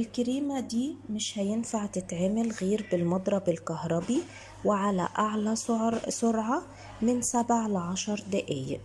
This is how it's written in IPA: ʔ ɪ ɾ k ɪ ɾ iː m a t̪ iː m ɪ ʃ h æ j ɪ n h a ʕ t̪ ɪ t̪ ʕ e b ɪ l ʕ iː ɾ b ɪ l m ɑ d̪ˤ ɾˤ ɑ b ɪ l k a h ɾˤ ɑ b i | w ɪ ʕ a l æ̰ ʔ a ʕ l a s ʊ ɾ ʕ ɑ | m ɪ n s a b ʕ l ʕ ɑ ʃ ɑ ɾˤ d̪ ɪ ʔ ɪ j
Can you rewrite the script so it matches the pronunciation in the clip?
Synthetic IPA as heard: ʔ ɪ l k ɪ ɾ iː m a d̪ iː m ɪ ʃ h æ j ɪ n f a ʕ t̪ ɪ t̪ ʕ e m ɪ l ɣ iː ɾ b ɪ l m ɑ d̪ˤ ɾˤ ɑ b ɪ l k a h ɾˤ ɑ b i | w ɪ ʕ a l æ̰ ʔ a ʕ l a s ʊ ɾ ʕ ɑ | m ɪ n s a b ʕ l ʕ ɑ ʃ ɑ ɾˤ d̪ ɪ ʔ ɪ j

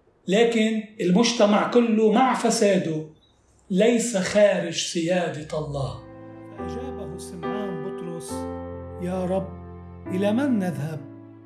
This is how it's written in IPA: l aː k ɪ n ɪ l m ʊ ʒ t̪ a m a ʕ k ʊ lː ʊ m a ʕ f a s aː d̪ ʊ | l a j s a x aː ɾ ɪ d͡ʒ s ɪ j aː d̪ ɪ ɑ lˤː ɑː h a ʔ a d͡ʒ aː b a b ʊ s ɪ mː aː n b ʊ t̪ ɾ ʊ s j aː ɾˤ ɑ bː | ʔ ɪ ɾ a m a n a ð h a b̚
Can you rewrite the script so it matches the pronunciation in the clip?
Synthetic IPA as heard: l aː k ɪ n ɪ l m ʊ ʒ t̪ a m a ʕ k ʊ lː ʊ m a ʕ f a s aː d̪ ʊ | l a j s a x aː ɾ ɪ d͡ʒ s ɪ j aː d̪ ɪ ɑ lˤː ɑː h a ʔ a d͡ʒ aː b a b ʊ s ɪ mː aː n b ʊ t̪ ɾ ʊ s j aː ɾˤ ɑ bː | ʔ ɪ l a m a nː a ð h a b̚

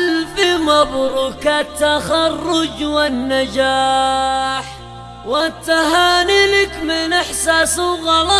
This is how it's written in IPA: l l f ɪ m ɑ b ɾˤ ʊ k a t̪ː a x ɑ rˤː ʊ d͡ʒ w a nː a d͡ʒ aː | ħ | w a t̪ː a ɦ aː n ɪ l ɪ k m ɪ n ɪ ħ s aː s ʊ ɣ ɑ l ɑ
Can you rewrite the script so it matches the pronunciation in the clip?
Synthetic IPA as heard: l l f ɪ m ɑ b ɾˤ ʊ k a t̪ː a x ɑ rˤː ʊ d͡ʒ w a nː a d͡ʒ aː | ħ | w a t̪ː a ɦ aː n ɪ l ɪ k m ɪ n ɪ ħ s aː s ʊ ɣ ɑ l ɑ

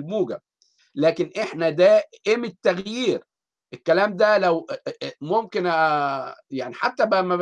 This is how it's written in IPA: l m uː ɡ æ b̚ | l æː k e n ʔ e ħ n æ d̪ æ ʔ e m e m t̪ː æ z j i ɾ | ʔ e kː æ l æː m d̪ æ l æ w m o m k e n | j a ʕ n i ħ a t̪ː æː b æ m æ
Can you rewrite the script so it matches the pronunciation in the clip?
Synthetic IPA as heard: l m uː ɡ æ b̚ | l æː k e n ʔ e ħ n æ d̪ æ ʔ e m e t̪ː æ ɣ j iː ɾ | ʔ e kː æ l æː m d̪ æ l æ w m o m k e n | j a ʕ n i ħ a t̪ː æ b æ m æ

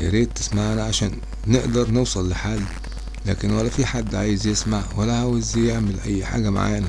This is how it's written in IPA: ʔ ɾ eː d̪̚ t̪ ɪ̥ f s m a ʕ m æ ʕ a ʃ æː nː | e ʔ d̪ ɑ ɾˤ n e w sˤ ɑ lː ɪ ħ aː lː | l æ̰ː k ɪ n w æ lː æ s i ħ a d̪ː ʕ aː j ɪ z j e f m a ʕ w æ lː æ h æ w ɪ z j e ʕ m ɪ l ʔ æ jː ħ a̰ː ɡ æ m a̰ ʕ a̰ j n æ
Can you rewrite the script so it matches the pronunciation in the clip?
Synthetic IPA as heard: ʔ ɾ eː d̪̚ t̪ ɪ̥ s m a ʕ n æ ʕ a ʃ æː nː | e ʔ d̪ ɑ ɾˤ n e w sˤ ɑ lː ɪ ħ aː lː | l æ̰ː k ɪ n w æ lː æ f i ħ a d̪ː ʕ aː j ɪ z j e s m a ʕ w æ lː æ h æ w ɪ z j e ʕ m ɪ l ʔ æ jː ħ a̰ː ɡ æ m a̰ ʕ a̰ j n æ

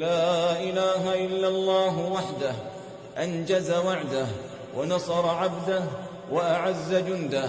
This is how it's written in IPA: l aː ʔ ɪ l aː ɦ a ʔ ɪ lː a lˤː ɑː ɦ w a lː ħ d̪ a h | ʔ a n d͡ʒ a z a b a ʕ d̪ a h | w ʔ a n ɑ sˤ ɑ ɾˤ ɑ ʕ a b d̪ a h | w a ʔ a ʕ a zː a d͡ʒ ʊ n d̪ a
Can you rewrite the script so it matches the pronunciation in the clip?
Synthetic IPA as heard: l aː ʔ ɪ l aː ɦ a ʔ ɪ lː a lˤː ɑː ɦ w a ħ d̪ a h | ʔ a n d͡ʒ a z a w a ʕ d̪ a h | w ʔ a n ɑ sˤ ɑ ɾˤ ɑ ʕ a b d̪ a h | w a ʔ a ʕ a zː a d͡ʒ ʊ n d̪ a

